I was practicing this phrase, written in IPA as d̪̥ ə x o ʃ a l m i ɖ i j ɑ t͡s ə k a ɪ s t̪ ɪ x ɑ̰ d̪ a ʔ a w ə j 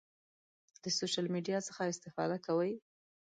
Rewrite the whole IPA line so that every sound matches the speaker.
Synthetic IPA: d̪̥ ə s o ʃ a l m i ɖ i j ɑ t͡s ə x a ɪ s t̪ ɪ f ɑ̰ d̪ a k a w ə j